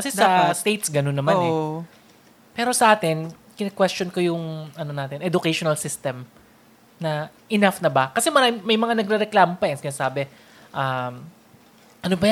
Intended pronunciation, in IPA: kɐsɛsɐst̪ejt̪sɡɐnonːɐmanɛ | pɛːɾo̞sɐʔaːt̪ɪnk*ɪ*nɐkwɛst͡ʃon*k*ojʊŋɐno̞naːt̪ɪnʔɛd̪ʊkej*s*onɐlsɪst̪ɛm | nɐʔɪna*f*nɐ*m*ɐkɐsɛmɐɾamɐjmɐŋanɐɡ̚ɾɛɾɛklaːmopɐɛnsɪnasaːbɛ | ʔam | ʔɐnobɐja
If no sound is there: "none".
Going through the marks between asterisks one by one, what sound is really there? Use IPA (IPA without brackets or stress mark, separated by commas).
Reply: ɪ, k, ʃ, f, b